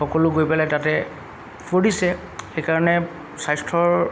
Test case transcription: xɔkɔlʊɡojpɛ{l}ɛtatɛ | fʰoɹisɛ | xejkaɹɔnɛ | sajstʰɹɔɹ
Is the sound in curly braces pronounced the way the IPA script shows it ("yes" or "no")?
yes